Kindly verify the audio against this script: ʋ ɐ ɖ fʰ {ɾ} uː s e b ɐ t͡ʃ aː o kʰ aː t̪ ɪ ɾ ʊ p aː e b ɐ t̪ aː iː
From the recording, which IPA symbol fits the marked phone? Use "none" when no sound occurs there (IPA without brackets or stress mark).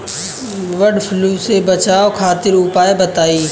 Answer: l